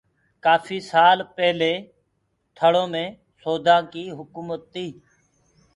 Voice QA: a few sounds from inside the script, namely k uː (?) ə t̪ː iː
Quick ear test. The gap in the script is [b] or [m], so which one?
m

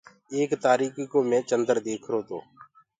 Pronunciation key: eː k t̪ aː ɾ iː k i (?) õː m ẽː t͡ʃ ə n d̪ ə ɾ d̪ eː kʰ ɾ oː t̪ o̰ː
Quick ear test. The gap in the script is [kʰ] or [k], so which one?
k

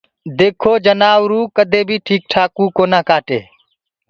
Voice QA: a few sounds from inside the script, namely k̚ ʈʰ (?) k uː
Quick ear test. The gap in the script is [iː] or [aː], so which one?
aː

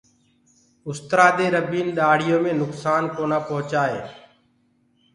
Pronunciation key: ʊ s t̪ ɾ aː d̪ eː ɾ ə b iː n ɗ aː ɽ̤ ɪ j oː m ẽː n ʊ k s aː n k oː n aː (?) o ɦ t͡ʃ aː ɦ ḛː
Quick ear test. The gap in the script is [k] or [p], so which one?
p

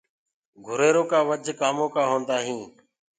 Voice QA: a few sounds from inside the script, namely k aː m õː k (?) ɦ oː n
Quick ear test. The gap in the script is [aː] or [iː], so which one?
aː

